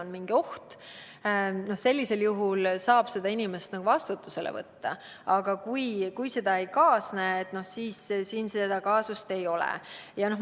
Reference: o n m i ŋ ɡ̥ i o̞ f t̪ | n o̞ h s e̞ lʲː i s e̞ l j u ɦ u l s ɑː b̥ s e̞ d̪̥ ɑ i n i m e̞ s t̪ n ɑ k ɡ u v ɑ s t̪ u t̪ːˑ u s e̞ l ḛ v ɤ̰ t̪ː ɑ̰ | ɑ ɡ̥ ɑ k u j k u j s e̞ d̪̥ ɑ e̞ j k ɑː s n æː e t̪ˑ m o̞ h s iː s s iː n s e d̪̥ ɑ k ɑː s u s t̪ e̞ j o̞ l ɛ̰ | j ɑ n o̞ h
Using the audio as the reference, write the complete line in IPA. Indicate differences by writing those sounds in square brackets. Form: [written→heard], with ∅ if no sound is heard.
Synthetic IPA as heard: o n m i ŋ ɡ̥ i o̞ [f→h] t̪ | n o̞ h s e̞ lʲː i s e̞ l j u ɦ u l s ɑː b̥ s e̞ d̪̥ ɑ i n i m e̞ s t̪ n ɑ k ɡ u v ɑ s t̪ u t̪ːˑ u s e̞ l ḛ v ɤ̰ t̪ː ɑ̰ | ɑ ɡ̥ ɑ k u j k u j s e̞ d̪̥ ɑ e̞ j k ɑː s n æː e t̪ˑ [m→n] o̞ h s iː s s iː n s e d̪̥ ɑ k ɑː s u s t̪ e̞ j o̞ l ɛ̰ | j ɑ n o̞ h